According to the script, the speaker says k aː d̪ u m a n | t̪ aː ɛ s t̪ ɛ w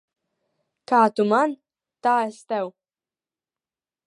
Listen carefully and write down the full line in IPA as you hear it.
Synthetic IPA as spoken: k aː t̪ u m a n | t̪ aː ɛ s t̪ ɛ w